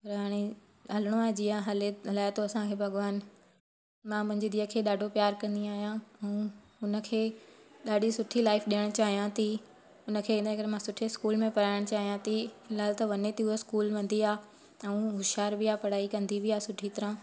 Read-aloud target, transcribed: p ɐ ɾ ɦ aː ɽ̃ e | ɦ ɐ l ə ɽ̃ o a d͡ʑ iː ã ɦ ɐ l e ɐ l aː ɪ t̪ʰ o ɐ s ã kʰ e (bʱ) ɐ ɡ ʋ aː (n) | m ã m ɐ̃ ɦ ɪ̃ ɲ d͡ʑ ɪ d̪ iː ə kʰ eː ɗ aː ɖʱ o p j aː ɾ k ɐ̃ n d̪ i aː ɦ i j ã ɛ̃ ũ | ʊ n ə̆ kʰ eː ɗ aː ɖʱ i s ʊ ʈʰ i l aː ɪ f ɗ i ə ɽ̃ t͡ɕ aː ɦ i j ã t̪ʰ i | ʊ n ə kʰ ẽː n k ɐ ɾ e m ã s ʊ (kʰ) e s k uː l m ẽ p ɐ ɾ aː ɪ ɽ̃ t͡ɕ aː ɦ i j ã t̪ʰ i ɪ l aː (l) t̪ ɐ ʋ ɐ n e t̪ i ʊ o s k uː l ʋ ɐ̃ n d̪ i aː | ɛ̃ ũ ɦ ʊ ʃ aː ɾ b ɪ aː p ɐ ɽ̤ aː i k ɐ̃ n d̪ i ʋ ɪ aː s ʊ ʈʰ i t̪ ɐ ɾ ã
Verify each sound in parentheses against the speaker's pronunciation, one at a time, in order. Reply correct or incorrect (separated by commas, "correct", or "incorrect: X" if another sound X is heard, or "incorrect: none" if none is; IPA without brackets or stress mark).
correct, correct, incorrect: ʈʰ, correct